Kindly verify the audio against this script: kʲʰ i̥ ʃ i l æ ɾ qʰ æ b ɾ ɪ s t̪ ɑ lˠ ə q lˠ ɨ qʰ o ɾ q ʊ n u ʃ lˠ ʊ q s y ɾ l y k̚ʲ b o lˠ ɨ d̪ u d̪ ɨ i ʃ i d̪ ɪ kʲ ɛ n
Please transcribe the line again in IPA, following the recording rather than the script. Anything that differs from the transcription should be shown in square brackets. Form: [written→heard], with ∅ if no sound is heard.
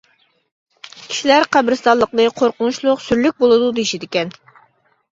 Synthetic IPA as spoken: kʲʰ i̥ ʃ i l æ ɾ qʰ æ b ɾ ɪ s t̪ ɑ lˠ ə q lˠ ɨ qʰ o ɾ q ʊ n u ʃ lˠ ʊ q s y ɾ l y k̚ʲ b o lˠ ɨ d̪ u d̪ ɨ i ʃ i d̪ ɪ kʲ ɛ n